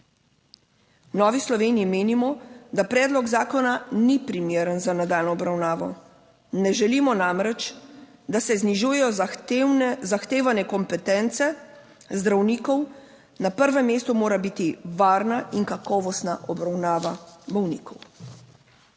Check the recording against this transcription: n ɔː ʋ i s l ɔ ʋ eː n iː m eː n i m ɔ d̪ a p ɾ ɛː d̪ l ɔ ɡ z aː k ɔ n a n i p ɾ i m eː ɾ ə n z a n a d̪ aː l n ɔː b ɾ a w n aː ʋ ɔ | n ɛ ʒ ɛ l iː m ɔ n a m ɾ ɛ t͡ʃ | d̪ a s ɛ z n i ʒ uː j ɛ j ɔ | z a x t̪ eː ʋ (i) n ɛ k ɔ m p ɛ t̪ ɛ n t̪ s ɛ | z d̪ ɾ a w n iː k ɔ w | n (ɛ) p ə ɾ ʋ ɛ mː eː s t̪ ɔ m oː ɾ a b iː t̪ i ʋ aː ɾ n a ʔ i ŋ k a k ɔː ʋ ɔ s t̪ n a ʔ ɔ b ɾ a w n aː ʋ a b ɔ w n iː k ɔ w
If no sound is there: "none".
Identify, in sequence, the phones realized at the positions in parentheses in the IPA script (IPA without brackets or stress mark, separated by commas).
a, a